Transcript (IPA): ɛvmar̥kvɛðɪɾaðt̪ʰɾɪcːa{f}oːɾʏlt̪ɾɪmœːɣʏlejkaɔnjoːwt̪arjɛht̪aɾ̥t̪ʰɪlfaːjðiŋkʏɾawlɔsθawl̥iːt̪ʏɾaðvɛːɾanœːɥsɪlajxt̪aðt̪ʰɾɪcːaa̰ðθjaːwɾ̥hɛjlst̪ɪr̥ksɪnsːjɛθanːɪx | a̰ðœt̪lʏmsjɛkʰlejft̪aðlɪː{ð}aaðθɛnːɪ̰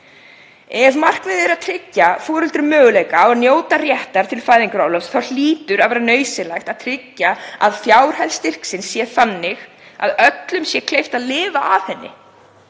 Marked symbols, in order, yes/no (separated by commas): yes, no